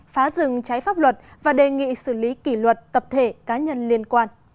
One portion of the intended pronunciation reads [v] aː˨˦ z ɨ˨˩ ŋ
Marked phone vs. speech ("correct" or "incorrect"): incorrect